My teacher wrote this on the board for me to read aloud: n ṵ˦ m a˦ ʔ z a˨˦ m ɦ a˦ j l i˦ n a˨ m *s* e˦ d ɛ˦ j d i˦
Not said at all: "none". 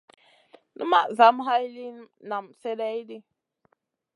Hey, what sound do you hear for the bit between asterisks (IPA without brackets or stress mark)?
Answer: s